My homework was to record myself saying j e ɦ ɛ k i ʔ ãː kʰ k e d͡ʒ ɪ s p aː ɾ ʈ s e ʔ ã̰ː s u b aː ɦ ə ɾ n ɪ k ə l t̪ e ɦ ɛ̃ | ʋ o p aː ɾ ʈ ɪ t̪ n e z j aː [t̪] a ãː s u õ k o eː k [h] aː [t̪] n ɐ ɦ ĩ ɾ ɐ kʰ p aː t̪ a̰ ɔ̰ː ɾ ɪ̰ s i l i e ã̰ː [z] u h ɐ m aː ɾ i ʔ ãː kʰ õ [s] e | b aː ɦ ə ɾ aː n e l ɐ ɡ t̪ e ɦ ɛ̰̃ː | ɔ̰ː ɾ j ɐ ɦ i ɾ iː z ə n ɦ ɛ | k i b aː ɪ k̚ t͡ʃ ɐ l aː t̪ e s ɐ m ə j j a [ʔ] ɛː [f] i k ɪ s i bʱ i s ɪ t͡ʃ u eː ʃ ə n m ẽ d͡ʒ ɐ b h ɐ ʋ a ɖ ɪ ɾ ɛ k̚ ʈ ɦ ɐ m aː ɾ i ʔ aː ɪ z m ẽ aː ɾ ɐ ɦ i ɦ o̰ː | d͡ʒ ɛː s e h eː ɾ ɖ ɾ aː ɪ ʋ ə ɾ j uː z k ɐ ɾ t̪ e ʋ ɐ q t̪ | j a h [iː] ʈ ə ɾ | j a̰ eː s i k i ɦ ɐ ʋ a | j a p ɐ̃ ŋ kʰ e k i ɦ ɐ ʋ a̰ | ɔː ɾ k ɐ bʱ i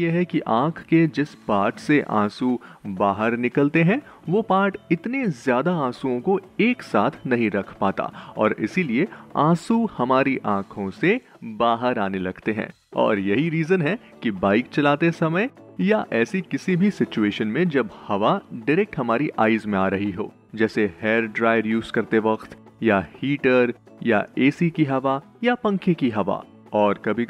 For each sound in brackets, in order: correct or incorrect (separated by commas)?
incorrect, incorrect, incorrect, incorrect, correct, correct, incorrect, correct